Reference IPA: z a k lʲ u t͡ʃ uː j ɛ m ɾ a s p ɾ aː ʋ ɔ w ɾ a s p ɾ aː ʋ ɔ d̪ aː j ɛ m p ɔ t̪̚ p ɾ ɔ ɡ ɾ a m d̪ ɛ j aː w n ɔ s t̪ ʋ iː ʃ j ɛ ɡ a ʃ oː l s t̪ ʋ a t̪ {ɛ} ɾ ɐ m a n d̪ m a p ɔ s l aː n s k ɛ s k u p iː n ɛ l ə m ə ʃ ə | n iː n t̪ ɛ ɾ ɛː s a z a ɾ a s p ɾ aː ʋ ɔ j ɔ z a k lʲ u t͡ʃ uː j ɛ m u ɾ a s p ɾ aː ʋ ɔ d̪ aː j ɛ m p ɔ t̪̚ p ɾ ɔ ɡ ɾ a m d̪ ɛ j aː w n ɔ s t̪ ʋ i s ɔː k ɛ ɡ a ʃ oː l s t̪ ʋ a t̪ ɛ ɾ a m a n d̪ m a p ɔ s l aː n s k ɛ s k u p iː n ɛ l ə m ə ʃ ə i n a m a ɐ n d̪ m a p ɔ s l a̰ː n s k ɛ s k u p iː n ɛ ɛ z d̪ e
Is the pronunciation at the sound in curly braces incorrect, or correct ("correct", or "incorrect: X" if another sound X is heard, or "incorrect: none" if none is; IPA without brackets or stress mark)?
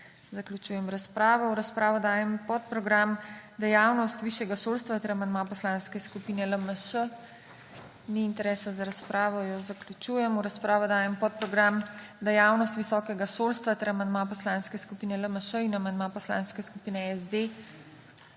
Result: correct